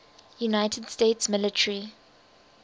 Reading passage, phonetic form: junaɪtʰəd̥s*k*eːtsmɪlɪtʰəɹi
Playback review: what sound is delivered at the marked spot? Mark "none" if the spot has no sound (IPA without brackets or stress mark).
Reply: t